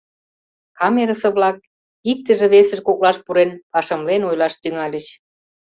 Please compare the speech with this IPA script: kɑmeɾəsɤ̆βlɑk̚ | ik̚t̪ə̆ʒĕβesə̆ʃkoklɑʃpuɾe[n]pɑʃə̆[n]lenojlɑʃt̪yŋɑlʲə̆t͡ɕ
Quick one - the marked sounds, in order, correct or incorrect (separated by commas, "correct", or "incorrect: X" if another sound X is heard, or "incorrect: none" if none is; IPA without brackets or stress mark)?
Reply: correct, incorrect: m